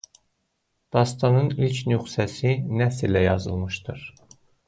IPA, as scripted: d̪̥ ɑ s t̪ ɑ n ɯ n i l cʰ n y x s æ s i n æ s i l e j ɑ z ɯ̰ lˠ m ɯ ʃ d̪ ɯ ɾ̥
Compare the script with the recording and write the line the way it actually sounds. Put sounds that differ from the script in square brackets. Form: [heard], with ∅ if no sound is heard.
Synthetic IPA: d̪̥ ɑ s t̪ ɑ n ɯ n i l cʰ n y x s æ s i n æ s i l [æ] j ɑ z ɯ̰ lˠ m ɯ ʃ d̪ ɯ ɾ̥

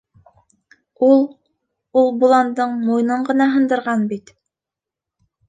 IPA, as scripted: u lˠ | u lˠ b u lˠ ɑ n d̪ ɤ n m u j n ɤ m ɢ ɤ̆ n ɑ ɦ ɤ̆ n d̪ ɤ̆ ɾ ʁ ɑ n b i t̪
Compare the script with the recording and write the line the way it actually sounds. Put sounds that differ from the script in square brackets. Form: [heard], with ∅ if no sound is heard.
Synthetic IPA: u lˠ | u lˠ b u lˠ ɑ n d̪ ɤ [ɴ] m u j n ɤ [ɴ] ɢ ɤ̆ n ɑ ɦ ɤ̆ n d̪ ɤ̆ ɾ ʁ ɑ n b i t̪

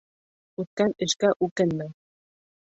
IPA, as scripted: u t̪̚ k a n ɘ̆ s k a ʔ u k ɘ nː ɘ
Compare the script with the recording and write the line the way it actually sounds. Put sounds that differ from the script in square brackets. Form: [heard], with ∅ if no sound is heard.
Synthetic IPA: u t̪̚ k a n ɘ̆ [ʃ] k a ʔ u k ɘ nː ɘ

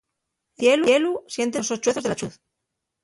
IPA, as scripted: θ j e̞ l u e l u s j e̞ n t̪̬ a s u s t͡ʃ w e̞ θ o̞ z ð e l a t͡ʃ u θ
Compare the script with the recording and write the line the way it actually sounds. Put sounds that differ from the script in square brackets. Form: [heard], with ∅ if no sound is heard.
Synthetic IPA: θ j e̞ l u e l u s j e̞ n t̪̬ [e] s [o] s t͡ʃ w e̞ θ o̞ z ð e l a t͡ʃ u θ

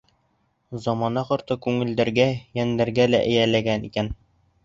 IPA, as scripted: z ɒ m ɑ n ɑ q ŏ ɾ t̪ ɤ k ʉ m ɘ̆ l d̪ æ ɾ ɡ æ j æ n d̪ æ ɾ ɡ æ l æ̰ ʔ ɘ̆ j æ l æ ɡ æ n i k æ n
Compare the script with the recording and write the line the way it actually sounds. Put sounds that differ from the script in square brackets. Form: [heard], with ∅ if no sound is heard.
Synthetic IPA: z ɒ m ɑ n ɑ q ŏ ɾ t̪ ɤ k ʉ [ŋ] ɘ̆ l d̪ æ ɾ ɡ æ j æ n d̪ æ ɾ ɡ æ l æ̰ ʔ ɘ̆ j æ l æ ɡ æ n i k æ n

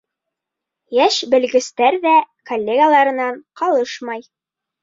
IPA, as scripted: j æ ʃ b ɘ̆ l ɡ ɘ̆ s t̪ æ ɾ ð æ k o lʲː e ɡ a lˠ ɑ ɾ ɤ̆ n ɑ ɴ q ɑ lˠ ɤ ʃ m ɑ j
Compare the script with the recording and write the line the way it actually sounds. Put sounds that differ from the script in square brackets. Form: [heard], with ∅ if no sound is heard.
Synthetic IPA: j æ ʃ b ɘ̆ l ɡ ɘ̆ s t̪ æ ɾ ð æ k o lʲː e ɡ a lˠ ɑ ɾ ɤ̆ n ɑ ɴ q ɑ lˠ ɤ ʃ m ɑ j

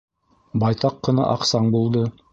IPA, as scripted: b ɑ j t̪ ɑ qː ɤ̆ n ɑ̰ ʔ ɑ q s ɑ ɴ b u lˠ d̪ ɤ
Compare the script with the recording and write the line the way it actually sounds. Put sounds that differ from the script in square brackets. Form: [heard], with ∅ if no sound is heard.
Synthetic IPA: b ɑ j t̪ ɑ qː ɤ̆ n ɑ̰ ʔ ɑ q s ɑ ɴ b u lˠ d̪ ɤ

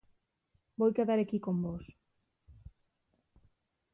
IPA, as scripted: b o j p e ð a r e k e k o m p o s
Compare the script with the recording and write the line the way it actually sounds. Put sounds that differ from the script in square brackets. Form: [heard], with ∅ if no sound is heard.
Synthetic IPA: b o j [k] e ð a [ɾ] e k [i] k o m [b] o s

